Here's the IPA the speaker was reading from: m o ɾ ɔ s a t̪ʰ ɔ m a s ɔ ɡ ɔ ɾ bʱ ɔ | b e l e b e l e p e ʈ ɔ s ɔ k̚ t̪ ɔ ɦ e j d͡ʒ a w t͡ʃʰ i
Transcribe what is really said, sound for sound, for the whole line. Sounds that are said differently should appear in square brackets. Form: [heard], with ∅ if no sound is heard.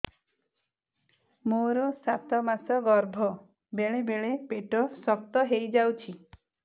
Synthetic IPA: m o ɾ ɔ s a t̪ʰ ɔ m a s ɔ ɡ ɔ ɾ bʱ ɔ | b e [ɭ] e b e [ɭ] e p e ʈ ɔ s ɔ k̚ t̪ ɔ ɦ e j d͡ʒ a w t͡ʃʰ i